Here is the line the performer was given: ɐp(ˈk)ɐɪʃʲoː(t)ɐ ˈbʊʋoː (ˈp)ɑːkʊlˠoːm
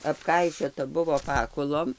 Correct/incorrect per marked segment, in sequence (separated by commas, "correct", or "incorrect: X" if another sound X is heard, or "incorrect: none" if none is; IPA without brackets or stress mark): correct, correct, correct